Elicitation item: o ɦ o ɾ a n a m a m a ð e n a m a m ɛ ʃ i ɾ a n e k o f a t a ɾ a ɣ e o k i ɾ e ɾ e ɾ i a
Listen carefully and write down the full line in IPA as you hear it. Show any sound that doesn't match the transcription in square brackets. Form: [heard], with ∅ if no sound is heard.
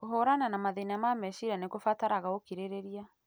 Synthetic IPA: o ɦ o ɾ a n a [n] a m a ð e n a m a m ɛ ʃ i ɾ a n e k o f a t a ɾ a ɣ [a] o k i ɾ e ɾ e ɾ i a